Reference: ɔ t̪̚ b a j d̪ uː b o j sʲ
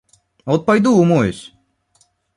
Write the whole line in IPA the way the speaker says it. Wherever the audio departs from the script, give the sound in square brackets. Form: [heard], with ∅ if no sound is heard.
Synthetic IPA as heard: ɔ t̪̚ [p] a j d̪ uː [m] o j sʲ